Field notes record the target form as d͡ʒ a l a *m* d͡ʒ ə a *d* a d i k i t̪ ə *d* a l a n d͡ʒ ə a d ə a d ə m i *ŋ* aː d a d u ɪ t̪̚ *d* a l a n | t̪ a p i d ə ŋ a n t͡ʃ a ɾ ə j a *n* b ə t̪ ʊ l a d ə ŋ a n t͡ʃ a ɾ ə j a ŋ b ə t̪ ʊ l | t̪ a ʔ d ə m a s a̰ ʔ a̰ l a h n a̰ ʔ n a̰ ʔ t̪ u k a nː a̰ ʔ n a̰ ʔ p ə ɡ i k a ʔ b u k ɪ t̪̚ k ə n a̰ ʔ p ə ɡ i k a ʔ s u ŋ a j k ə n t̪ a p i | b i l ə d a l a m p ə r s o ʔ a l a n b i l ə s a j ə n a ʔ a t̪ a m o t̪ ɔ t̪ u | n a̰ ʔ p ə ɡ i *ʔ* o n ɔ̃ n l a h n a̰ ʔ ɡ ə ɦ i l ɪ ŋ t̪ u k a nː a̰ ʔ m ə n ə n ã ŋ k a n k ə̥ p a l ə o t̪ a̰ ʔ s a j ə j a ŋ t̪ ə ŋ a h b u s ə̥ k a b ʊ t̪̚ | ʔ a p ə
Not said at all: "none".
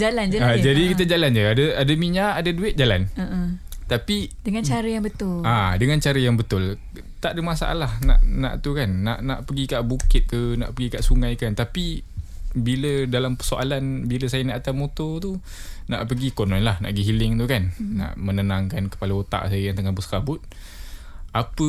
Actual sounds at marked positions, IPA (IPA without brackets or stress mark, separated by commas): n, d͡ʒ, d͡ʒ, ɲ, d͡ʒ, ŋ, k